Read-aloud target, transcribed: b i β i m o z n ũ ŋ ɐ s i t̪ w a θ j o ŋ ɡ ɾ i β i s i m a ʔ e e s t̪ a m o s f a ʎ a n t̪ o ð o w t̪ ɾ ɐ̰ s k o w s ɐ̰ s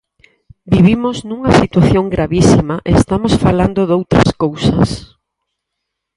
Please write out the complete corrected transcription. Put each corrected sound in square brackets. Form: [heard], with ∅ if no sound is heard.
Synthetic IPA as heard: b i β i m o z n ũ ŋ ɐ s i t̪ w a θ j o ŋ ɡ ɾ [a] β i s i m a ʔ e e s t̪ a m o s f a [l] a n [d̪] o ð o w t̪ ɾ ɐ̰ s k o w s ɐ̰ s